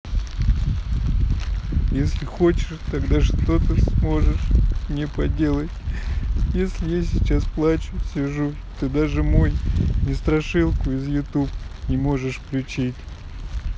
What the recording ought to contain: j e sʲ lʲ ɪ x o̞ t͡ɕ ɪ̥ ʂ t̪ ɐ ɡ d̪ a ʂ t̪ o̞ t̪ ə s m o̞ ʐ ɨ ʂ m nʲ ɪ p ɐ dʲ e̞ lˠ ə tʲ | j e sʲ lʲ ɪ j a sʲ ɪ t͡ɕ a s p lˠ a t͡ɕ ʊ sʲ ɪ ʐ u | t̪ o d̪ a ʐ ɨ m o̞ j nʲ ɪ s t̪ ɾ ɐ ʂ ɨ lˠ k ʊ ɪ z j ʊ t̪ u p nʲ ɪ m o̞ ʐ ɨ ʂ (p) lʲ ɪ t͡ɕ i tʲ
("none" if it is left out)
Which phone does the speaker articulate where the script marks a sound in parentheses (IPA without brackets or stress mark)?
p